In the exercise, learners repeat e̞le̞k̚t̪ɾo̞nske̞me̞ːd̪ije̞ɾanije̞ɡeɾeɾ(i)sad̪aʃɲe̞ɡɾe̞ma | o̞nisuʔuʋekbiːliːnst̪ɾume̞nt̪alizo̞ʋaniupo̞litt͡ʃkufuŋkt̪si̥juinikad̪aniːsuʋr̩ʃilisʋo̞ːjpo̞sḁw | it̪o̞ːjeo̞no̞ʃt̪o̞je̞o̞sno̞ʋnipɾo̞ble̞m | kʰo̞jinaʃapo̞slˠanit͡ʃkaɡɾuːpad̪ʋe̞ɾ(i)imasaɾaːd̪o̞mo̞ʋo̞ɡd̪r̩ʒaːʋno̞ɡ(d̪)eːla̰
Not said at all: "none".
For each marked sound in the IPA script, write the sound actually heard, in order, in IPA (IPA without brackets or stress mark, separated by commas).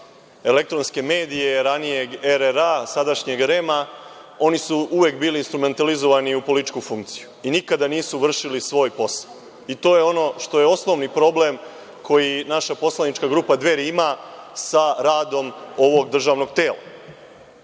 a, i, t̪